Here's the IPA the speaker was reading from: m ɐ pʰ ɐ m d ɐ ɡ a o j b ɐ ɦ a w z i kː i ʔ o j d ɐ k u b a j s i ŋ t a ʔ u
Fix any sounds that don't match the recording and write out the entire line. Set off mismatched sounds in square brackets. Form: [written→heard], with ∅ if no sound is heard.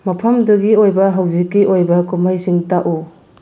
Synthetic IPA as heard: m ɐ pʰ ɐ m d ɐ ɡ [a→i] o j b ɐ ɦ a w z i kː i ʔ o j [d→b] ɐ k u [b→m] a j s i ŋ t a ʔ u

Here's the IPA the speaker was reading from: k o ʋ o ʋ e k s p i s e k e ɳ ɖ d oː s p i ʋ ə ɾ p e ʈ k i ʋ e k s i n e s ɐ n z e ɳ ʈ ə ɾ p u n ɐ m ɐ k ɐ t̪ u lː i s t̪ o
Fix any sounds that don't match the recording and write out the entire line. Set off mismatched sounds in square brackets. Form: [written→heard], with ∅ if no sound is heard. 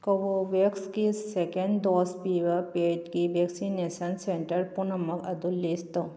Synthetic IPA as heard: k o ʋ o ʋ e k s [p→k] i s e k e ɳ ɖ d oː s p i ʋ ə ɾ p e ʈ k i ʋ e k s i n e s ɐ n [z→s] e ɳ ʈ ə ɾ p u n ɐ m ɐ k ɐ [t̪→d̪] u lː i s t̪ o

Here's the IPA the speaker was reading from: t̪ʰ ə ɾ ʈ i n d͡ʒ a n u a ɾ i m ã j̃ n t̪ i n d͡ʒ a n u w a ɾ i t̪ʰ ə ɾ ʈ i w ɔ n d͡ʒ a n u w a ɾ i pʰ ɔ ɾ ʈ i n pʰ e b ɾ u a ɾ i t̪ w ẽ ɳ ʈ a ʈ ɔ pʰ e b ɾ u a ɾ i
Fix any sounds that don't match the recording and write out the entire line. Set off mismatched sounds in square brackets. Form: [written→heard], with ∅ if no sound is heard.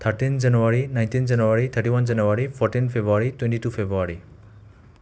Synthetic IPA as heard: t̪ʰ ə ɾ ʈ i n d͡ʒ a n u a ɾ i [m→n] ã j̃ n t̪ i n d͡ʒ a n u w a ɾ i t̪ʰ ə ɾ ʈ i w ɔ n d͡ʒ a n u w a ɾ i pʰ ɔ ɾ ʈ i n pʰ e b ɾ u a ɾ i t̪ w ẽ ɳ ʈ [a→i] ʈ [ɔ→u] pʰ e b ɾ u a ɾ i

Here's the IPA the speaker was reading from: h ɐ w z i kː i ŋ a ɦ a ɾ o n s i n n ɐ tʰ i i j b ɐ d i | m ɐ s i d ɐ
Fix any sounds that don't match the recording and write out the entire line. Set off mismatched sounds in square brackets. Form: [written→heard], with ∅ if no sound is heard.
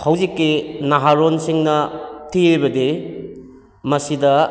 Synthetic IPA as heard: h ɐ w z i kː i [ŋ→n] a ɦ a ɾ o n s i [n→ŋ] n ɐ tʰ i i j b ɐ d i | m ɐ s i d ɐ

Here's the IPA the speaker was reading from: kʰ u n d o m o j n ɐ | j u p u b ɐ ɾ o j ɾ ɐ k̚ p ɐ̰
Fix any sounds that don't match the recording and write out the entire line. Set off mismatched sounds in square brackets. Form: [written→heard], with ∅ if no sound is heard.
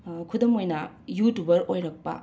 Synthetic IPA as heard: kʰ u [n→∅] d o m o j n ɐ | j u [p→t] u b ɐ ɾ o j ɾ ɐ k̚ p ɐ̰

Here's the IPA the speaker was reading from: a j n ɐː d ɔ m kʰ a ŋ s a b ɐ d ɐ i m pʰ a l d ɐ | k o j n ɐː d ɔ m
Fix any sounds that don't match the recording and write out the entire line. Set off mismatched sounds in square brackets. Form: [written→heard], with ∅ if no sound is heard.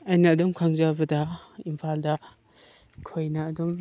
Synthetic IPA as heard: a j n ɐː d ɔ m kʰ a ŋ [s→z] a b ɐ d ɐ i m pʰ a l d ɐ | [k→kʰ] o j n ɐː d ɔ m

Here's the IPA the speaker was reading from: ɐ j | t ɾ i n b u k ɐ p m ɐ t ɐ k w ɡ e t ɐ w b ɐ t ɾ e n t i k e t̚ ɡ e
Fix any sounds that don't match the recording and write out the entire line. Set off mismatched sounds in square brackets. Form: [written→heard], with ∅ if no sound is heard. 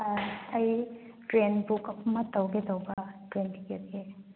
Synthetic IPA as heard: ɐ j | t ɾ [i→e] n b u k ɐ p m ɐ t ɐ [k→∅] w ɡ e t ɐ w b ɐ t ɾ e n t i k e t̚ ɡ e

